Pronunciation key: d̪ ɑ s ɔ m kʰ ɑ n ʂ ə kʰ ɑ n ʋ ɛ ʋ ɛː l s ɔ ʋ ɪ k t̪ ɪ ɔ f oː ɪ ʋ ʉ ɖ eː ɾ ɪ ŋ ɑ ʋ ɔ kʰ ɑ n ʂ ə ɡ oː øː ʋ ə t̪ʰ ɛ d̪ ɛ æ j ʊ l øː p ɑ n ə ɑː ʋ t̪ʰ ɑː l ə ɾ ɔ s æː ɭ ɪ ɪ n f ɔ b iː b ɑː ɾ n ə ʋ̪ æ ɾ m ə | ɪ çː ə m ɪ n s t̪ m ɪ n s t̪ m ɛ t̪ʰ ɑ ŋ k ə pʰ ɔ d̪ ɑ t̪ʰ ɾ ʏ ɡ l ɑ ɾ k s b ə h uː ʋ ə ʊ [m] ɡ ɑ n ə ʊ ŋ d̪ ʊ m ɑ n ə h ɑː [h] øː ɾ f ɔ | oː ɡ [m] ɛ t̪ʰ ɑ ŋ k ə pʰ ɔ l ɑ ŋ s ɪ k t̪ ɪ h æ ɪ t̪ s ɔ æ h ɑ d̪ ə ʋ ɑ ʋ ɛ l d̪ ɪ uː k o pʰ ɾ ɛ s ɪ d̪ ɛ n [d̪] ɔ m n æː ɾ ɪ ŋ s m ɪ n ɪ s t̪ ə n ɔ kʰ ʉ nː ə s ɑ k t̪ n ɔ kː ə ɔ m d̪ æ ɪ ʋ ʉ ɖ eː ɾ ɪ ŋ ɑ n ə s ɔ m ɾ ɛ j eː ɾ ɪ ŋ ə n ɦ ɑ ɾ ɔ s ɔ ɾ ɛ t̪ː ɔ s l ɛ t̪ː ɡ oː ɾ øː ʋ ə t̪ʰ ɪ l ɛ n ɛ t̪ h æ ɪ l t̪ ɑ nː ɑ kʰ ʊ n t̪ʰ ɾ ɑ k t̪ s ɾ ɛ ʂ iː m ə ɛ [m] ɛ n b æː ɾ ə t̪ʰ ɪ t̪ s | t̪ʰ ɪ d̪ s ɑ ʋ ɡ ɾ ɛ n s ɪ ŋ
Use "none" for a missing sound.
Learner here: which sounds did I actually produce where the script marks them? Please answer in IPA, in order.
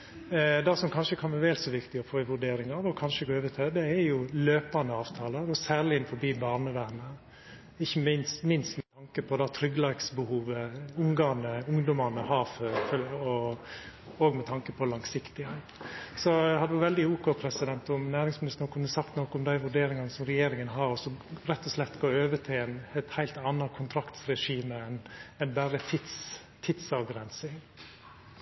ŋ, f, m, t̪, n

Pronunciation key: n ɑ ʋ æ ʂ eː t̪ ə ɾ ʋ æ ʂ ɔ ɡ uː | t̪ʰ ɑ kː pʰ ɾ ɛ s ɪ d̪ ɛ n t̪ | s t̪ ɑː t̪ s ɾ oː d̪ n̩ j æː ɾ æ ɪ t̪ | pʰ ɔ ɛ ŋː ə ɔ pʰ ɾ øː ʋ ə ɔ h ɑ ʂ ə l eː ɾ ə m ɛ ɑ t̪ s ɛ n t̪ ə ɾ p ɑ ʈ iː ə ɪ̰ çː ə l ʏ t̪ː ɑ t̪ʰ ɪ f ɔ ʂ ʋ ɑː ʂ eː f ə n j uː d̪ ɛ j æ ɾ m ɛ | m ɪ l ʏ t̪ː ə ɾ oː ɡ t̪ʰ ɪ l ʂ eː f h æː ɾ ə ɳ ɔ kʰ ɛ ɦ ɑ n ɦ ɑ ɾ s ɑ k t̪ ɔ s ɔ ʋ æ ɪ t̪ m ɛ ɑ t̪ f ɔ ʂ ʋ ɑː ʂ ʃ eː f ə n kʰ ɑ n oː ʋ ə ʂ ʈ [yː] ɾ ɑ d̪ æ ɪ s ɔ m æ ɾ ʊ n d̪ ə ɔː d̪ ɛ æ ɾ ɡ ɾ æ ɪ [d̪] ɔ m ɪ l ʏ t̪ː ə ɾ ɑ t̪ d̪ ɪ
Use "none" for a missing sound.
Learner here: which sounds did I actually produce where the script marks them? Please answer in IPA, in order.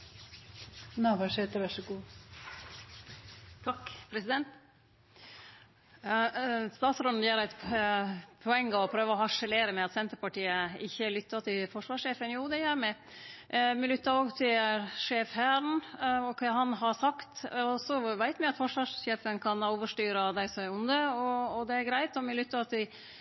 yː, t̪

